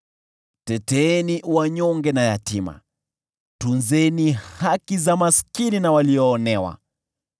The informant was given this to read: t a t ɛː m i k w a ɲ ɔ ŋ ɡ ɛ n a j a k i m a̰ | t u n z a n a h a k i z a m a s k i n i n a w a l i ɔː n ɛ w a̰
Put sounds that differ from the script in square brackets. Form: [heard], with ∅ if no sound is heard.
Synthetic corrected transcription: t [ɛ] t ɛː [n] i [∅] w a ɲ ɔ ŋ ɡ ɛ n a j a [t] i m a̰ | t u n z [ɛ] n [i] h a k i z a m a s k i n i n a w a l i ɔː n ɛ w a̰